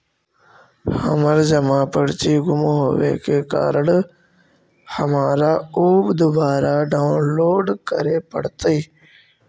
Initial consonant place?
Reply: glottal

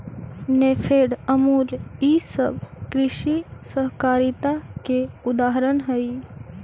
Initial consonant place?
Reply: alveolar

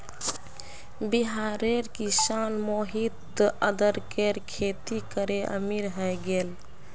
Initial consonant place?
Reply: labial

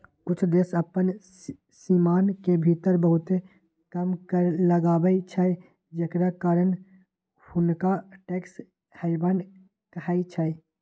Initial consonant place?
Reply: velar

